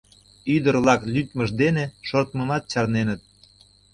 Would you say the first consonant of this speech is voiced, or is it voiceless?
voiced